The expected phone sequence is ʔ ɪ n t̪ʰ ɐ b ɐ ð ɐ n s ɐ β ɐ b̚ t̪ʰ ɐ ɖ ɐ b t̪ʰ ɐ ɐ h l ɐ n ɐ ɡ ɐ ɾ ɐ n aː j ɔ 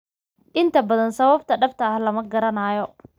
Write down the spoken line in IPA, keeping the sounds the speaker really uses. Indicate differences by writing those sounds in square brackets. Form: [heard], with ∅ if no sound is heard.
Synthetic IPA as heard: ʔ ɪ n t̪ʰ ɐ b ɐ ð ɐ n s ɐ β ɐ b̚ t̪ʰ ɐ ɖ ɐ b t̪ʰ ɐ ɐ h l ɐ [m] ɐ ɡ ɐ ɾ ɐ n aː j ɔ